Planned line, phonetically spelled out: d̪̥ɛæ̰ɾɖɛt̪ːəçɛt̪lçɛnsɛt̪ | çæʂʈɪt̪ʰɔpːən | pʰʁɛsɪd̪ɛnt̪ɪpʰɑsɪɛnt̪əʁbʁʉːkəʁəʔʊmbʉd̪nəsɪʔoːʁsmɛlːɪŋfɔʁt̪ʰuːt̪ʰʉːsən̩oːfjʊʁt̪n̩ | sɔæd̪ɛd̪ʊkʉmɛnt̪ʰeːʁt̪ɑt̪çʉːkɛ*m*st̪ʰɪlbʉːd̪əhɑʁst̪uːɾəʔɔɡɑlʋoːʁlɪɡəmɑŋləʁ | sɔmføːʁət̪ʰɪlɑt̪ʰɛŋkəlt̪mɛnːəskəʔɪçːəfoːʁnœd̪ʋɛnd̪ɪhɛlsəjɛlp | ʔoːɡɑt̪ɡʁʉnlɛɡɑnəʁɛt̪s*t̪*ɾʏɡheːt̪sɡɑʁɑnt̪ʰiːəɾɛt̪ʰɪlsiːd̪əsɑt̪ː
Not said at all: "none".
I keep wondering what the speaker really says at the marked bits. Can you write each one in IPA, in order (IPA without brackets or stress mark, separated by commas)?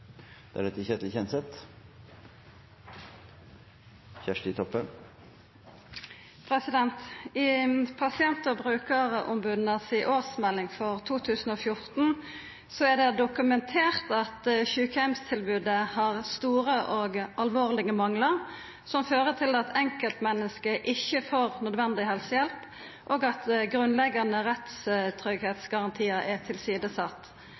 m, t̪ʰ